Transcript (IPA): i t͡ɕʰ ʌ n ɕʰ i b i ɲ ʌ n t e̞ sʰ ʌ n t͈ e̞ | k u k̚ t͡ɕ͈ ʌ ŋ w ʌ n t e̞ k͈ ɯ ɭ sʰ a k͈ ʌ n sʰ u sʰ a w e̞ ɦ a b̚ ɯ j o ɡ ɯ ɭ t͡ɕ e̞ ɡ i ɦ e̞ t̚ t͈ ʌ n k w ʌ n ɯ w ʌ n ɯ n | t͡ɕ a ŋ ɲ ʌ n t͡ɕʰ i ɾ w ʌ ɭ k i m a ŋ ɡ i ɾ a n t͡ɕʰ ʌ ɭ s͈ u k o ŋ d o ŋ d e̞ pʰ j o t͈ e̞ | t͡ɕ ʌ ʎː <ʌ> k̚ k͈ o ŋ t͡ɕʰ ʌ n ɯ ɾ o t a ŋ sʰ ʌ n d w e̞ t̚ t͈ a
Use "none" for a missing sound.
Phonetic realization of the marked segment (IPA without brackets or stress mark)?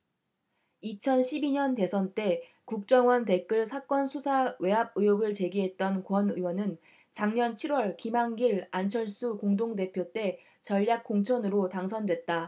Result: a